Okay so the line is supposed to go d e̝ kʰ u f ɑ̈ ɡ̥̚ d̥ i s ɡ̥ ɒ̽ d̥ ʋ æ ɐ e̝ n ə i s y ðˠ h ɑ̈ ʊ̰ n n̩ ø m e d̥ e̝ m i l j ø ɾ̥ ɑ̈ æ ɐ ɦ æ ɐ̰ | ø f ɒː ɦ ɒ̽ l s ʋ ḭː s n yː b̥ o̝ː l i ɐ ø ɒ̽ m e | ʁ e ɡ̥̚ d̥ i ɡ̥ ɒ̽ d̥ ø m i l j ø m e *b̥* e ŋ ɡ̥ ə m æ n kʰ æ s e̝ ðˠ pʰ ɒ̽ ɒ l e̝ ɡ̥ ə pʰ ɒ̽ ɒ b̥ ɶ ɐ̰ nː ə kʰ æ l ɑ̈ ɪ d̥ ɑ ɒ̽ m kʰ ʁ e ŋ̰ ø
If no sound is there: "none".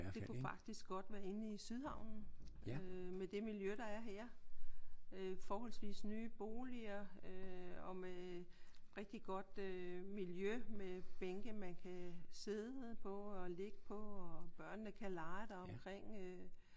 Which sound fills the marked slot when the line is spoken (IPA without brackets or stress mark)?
b̥